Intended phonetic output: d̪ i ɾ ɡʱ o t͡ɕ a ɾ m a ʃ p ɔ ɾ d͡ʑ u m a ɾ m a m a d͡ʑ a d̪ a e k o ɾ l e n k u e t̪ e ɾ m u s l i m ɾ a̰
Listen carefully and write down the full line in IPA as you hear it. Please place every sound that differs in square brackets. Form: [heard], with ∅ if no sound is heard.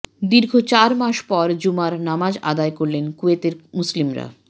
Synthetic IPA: d̪ i ɾ ɡʱ o t͡ɕ a ɾ m a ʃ p ɔ ɾ d͡ʑ u m a ɾ [n] a m a d͡ʑ a d̪ a e k o ɾ l e n k u e t̪ e ɾ m u s l i m ɾ a̰